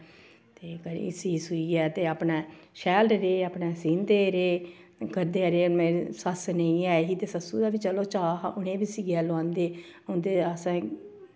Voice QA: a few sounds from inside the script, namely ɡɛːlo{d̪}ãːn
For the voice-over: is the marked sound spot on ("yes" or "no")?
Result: no